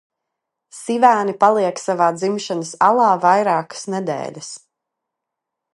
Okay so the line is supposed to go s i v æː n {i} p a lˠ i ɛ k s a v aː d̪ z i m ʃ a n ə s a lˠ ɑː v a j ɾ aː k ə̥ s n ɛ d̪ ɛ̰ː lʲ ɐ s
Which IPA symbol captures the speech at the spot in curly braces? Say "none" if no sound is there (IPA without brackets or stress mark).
i